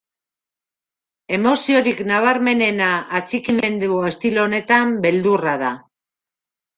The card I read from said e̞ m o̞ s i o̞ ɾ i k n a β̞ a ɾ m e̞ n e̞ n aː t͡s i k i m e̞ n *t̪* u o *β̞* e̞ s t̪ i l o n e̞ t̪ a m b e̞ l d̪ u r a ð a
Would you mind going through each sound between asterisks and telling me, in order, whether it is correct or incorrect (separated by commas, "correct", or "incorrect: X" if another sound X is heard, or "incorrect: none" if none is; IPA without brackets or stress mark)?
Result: incorrect: d̪, incorrect: none